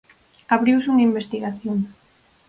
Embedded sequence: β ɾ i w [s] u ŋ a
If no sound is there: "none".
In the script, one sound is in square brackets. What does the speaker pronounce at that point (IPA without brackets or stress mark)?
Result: s